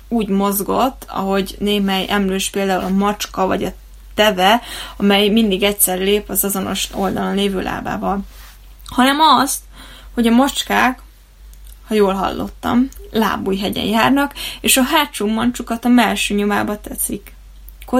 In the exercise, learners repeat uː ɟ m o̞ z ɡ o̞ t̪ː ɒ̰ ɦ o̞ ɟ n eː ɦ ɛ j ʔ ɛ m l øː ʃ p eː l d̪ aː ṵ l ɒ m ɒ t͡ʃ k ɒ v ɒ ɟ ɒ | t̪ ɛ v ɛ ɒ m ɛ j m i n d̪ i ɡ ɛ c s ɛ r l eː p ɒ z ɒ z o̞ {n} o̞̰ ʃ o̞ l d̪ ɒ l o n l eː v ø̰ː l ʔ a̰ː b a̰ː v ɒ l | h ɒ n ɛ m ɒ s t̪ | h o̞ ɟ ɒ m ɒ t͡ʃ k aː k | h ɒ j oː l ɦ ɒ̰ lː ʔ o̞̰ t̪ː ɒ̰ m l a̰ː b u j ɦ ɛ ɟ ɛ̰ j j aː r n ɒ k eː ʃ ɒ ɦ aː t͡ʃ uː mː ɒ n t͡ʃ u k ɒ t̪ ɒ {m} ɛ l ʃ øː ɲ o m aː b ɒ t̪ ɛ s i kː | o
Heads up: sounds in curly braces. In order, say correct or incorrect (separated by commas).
correct, correct